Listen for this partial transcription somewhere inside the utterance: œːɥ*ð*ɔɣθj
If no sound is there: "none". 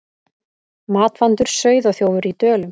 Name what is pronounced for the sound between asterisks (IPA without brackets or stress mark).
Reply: ð